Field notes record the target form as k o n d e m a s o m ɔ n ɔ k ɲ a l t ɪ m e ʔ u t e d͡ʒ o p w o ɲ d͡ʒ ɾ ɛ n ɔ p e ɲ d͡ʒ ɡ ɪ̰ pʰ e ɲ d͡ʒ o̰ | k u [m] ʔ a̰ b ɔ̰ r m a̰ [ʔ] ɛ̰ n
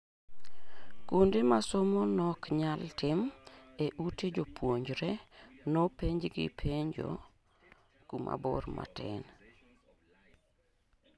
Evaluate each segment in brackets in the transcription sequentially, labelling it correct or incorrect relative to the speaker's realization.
correct, incorrect: t

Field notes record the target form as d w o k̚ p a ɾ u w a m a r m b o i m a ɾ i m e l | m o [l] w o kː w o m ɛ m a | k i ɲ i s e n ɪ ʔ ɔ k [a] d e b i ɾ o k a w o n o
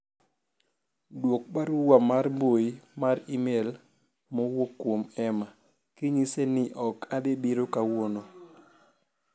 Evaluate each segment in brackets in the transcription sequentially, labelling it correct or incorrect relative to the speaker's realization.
incorrect: none, correct

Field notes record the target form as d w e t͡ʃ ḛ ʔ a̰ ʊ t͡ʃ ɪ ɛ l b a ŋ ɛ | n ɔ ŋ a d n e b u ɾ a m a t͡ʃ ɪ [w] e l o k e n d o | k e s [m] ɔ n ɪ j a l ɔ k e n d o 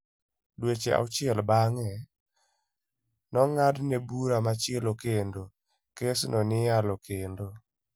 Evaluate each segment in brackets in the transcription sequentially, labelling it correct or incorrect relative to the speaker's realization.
incorrect: none, incorrect: n

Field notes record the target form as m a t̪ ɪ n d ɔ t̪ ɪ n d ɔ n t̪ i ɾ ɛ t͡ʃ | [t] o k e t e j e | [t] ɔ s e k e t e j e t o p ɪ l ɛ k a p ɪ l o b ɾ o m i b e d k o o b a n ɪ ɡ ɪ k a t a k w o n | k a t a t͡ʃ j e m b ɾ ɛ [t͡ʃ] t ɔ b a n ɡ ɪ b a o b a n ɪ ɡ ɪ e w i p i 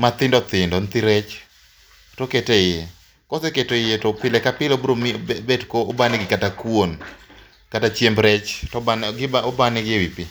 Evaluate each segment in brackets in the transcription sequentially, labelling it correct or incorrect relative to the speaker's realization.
correct, incorrect: k, correct

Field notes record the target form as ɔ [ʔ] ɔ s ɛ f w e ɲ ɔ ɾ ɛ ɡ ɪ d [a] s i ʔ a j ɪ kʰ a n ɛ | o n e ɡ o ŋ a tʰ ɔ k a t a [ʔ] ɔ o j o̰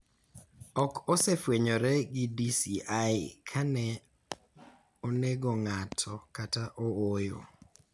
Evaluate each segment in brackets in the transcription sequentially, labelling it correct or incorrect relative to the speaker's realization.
incorrect: k, incorrect: i, correct

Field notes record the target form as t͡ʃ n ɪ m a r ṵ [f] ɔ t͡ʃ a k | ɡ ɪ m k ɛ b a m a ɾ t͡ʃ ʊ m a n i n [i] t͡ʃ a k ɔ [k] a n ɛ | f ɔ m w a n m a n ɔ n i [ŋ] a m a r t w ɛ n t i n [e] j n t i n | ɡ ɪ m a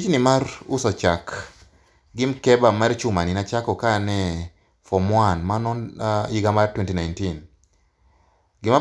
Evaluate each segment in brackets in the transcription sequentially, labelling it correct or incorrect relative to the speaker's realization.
incorrect: s, incorrect: a, correct, incorrect: ɡ, incorrect: a

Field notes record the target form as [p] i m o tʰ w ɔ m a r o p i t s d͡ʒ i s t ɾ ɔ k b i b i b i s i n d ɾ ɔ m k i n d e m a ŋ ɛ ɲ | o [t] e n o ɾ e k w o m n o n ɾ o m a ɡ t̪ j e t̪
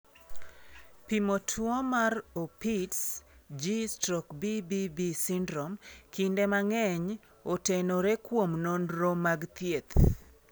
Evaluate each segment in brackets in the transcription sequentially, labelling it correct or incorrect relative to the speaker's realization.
correct, correct

